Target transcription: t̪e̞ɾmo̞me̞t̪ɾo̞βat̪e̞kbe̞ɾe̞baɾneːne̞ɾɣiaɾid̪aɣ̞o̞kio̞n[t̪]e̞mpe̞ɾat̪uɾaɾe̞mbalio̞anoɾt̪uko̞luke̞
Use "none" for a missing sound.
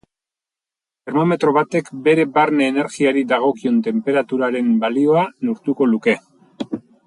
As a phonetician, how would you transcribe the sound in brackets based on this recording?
t̪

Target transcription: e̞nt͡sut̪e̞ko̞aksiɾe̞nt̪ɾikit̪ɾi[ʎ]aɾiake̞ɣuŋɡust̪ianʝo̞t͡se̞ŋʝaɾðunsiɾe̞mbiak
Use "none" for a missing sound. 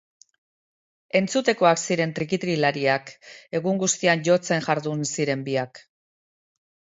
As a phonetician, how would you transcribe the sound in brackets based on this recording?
l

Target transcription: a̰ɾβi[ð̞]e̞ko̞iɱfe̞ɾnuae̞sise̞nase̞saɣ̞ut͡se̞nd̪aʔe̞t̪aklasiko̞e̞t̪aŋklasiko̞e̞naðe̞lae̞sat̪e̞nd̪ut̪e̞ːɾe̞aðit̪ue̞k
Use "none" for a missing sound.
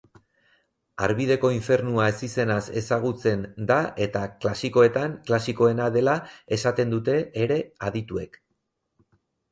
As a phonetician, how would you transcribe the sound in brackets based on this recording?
ð̞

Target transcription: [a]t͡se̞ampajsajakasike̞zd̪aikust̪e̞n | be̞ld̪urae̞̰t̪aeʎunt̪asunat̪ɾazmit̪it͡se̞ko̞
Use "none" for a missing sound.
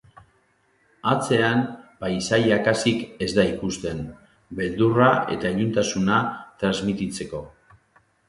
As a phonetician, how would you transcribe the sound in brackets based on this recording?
a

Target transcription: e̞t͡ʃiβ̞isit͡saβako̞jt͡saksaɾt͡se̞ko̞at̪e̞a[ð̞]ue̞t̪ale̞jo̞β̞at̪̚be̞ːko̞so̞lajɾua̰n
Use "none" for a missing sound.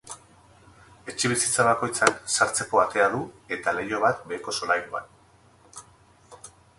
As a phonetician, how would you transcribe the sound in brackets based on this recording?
ð̞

